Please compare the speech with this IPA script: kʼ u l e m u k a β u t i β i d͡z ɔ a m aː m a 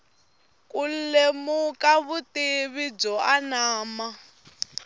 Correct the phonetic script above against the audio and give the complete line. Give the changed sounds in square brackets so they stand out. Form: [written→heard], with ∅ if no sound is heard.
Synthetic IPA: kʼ u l e m u k a β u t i β i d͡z ɔ a [m→n] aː m a